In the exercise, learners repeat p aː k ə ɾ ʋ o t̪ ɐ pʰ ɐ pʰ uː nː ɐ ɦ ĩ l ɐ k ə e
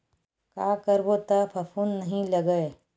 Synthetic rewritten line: k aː k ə ɾ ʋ o t̪ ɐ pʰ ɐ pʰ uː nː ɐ ɦ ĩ l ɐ ɡ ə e